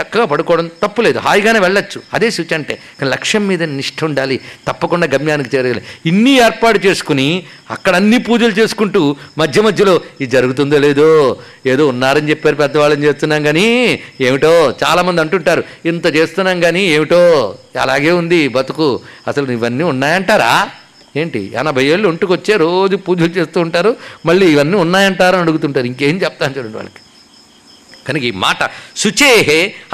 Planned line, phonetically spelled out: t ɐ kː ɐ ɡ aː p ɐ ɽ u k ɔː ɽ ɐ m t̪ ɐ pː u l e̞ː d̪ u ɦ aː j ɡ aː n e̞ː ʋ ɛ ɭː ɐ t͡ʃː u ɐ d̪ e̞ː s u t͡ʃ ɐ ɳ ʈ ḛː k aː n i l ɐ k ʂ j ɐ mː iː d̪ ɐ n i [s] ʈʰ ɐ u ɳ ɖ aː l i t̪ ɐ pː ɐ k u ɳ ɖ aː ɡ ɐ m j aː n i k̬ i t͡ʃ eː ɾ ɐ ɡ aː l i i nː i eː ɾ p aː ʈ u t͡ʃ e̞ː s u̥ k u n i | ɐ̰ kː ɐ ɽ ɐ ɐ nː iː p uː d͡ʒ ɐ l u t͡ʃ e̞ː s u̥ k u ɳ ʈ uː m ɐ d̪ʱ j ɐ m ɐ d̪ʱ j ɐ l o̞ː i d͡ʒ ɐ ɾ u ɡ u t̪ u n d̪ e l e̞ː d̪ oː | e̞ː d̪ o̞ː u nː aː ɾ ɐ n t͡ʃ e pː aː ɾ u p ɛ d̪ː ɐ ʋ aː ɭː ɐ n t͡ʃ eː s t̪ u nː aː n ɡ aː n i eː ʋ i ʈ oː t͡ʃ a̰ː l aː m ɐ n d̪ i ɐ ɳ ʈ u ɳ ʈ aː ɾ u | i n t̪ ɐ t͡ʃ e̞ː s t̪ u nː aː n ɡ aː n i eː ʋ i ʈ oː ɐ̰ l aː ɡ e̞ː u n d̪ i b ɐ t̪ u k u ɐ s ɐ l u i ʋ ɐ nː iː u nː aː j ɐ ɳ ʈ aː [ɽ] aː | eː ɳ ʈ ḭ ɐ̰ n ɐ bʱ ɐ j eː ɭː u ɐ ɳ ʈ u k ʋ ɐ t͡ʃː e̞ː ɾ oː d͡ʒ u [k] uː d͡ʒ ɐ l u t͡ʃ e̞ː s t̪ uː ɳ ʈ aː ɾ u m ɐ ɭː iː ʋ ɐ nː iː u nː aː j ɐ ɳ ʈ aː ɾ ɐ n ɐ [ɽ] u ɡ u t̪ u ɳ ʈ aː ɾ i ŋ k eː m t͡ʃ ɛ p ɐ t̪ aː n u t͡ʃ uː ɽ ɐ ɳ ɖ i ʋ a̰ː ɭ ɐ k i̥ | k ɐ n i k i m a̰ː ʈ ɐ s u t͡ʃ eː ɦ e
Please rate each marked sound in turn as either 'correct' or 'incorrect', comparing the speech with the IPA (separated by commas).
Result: incorrect, incorrect, incorrect, correct